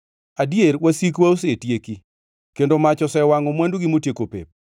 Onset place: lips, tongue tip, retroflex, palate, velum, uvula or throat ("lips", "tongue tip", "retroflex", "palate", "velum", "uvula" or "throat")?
tongue tip